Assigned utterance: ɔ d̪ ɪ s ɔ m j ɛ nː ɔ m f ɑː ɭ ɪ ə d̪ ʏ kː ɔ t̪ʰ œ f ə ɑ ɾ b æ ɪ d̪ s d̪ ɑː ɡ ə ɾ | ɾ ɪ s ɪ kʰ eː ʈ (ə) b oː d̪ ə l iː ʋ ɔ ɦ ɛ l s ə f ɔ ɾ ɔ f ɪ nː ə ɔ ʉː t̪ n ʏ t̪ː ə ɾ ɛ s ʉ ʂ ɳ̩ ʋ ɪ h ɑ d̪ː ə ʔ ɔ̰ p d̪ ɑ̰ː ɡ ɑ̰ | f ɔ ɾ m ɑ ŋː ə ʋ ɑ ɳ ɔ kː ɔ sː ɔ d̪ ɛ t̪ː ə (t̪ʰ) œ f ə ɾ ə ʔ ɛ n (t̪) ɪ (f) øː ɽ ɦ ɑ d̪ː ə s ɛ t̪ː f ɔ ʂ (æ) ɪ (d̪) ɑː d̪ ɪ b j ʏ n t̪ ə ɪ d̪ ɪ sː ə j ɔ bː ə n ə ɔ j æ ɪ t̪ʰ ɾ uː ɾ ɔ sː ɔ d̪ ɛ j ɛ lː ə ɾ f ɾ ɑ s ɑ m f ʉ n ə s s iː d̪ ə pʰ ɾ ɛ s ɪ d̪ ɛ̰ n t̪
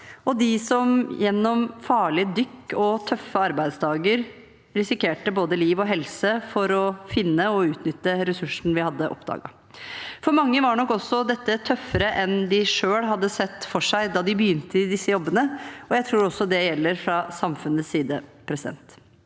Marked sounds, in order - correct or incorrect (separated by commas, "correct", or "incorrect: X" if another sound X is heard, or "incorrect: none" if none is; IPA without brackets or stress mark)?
correct, correct, incorrect: d̪, incorrect: ʂ, correct, correct